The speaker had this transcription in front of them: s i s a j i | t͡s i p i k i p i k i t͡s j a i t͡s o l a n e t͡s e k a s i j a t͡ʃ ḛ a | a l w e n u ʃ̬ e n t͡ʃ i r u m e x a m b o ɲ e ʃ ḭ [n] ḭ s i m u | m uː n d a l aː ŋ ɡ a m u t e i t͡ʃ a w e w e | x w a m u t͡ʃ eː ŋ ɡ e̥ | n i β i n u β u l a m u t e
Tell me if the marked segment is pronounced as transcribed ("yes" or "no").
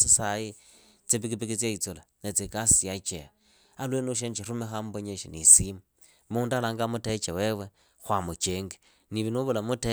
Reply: yes